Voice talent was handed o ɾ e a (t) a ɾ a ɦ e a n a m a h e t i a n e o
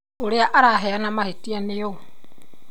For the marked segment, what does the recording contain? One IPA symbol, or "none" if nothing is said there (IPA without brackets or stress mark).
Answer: ʔ